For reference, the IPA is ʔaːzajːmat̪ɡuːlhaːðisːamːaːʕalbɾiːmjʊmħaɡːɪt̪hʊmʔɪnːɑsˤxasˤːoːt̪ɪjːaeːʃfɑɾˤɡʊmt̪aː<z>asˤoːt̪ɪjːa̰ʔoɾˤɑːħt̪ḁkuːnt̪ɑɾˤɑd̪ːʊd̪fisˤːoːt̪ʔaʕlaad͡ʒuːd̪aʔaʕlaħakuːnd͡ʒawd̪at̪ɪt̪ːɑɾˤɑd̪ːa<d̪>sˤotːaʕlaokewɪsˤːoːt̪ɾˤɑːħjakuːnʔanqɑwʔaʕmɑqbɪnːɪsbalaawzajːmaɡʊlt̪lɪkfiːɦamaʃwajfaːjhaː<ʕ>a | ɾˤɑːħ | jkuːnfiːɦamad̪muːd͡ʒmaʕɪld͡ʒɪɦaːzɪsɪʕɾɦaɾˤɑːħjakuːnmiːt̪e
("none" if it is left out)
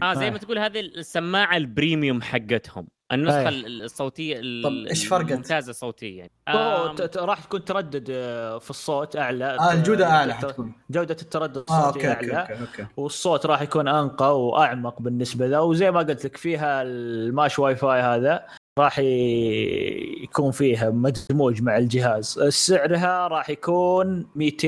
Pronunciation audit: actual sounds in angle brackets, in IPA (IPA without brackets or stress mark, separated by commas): z, d̪, ð